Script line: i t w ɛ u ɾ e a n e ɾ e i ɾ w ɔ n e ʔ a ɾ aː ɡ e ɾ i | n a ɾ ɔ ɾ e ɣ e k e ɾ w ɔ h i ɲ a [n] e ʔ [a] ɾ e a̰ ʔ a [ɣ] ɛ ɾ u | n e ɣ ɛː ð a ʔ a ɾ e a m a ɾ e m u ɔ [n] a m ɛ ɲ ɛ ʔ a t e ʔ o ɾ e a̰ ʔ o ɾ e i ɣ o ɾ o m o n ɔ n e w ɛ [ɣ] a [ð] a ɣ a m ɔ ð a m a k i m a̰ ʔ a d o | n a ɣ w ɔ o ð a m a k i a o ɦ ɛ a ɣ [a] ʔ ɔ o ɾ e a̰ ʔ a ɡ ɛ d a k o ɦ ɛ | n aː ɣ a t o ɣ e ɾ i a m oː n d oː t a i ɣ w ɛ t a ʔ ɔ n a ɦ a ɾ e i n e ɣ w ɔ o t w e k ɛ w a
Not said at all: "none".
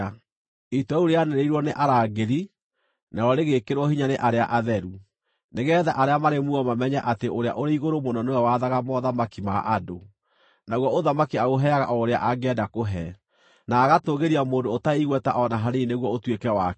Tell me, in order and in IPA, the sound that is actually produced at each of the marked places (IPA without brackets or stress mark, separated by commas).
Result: n, a, ð, m, w, ð, a